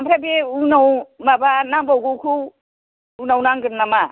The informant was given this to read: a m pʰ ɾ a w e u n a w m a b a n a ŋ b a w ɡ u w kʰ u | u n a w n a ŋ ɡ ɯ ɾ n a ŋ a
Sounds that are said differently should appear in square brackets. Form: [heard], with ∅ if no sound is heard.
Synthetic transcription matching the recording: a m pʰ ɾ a [b] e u n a w m a b a n a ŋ b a w ɡ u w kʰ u | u n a w n a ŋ ɡ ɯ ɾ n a [m] a